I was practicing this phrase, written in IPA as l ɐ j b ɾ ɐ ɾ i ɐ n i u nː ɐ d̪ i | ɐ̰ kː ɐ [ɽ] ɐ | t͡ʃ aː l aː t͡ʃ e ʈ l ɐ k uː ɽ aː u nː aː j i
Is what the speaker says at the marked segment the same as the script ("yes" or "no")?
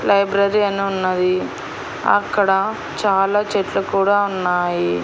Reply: yes